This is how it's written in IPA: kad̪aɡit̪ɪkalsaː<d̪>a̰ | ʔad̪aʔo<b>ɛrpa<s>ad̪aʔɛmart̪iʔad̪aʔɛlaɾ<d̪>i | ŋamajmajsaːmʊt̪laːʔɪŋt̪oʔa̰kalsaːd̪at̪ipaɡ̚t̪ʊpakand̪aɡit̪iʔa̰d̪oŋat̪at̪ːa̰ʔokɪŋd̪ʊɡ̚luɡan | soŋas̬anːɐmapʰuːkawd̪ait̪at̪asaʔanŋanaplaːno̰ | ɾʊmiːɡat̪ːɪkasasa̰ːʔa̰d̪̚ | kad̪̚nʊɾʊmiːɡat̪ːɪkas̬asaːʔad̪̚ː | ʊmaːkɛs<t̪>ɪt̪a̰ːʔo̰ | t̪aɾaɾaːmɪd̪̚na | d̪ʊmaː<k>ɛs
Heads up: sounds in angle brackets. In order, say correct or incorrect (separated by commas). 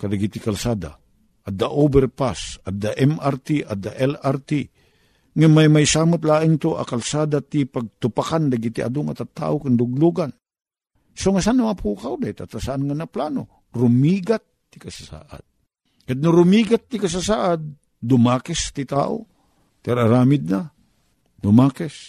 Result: correct, correct, correct, incorrect, correct, correct